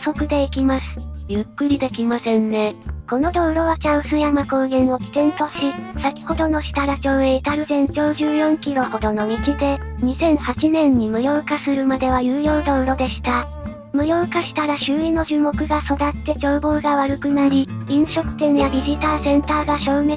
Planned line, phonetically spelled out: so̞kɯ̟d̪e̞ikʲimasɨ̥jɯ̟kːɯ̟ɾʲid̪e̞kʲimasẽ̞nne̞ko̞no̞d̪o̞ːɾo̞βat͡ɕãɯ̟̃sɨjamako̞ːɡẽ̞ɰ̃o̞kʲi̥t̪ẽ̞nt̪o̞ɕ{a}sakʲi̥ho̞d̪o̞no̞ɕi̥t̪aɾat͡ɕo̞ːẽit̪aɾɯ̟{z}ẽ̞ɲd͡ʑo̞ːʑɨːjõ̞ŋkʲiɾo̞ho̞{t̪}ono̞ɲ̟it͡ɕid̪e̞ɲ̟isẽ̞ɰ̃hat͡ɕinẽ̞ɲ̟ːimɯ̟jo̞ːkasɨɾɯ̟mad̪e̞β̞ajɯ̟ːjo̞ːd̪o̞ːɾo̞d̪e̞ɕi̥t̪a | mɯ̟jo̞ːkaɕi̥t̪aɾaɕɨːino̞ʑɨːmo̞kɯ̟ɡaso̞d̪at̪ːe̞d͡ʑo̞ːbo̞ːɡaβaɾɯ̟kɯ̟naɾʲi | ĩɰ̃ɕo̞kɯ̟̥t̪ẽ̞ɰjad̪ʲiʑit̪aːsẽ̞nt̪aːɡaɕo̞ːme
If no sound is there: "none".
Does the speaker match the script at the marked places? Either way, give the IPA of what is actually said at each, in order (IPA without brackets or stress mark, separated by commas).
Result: i, z, d̪